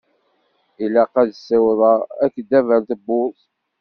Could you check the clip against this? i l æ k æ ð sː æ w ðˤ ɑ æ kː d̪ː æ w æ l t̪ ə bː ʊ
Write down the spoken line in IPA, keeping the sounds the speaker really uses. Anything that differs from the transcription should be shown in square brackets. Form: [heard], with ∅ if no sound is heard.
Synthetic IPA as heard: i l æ [q] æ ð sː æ w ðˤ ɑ æ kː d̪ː æ [v] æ l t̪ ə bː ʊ